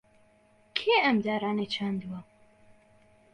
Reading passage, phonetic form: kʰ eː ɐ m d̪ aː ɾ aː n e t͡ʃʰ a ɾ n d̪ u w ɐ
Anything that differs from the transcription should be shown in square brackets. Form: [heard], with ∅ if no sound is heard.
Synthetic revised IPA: kʰ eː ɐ m d̪ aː ɾ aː n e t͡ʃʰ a [∅] n d̪ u w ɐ